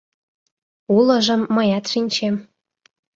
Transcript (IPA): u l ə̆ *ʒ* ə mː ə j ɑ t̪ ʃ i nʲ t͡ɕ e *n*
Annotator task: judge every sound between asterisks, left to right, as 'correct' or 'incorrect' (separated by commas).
correct, incorrect